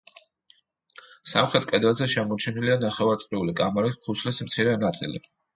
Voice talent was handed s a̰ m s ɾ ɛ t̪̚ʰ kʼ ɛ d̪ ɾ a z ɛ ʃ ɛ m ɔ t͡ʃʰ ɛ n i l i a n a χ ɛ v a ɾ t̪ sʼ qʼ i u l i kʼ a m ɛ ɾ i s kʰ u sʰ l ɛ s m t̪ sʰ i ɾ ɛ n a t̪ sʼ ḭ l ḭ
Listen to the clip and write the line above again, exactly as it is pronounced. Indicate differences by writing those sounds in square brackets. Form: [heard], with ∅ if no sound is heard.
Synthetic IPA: s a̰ m [χ] ɾ ɛ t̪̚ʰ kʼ ɛ d̪ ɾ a z ɛ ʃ ɛ m ɔ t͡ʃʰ ɛ n i l i a n a χ ɛ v a ɾ t̪ sʼ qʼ i u l i kʼ a m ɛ ɾ i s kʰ u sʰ l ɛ s m t̪ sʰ i ɾ ɛ n a t̪ sʼ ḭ l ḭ